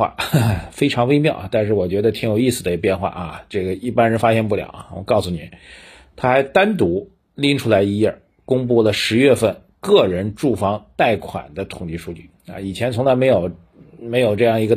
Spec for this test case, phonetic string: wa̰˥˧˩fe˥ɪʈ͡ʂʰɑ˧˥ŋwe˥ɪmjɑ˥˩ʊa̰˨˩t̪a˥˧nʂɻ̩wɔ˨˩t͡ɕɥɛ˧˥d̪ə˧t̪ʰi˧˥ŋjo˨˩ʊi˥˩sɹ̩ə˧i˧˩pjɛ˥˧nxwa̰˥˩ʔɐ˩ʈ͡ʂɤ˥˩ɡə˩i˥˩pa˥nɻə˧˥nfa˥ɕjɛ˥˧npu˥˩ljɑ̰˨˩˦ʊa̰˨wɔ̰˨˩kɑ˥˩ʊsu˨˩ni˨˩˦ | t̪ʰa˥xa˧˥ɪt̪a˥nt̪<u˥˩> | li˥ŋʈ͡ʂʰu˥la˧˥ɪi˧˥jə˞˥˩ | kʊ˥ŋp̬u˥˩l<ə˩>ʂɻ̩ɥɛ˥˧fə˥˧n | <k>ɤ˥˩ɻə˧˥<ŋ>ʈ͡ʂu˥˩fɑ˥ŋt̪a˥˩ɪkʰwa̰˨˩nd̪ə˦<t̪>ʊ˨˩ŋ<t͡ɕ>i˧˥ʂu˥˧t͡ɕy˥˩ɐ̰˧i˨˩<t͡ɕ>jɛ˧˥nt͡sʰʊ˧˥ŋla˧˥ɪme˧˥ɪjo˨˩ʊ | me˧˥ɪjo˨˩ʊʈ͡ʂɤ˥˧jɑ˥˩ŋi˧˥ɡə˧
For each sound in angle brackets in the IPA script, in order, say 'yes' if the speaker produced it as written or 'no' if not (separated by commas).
no, yes, yes, no, no, yes, no